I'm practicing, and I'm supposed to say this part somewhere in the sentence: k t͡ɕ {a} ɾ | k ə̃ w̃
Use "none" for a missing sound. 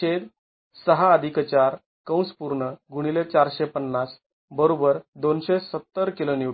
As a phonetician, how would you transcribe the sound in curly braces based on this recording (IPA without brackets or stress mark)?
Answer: a